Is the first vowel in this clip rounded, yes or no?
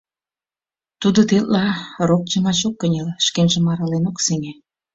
yes